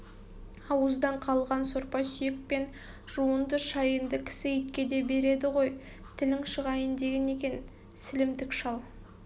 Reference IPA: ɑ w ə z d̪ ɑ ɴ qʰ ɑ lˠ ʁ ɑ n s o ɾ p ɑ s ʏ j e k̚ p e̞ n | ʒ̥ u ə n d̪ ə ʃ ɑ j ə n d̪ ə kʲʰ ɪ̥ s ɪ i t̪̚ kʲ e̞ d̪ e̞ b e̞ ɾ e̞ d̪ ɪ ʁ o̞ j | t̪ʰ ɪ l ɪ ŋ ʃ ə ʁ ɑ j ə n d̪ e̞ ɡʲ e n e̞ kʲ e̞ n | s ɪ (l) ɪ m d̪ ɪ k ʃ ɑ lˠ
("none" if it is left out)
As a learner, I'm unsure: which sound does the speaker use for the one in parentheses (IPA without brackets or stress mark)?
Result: l